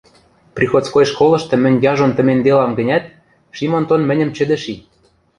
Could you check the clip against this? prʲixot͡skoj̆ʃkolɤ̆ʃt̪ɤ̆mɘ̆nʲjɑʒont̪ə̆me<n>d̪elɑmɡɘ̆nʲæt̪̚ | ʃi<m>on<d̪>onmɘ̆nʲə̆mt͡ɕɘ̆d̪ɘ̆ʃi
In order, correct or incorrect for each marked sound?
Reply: correct, correct, incorrect: t̪

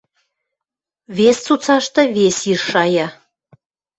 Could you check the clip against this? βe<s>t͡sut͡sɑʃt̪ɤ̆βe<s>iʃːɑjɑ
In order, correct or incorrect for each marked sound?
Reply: correct, correct

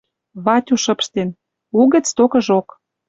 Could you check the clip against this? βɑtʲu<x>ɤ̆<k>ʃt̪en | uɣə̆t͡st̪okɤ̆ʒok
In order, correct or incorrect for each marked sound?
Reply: incorrect: ʃ, incorrect: p

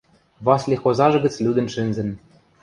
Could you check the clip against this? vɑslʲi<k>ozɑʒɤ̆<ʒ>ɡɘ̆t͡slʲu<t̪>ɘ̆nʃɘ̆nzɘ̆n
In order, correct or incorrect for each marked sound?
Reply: incorrect: x, incorrect: none, incorrect: d̪

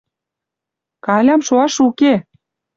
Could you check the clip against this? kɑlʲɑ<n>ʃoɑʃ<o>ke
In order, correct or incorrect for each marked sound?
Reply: incorrect: m, incorrect: u

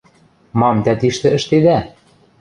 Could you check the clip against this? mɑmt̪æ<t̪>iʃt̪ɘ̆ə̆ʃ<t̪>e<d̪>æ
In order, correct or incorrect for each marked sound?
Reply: correct, correct, correct

